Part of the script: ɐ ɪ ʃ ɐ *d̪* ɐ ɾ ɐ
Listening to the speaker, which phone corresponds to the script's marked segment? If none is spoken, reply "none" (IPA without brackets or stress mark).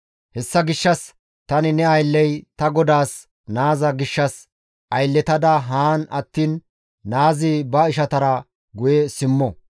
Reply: t̪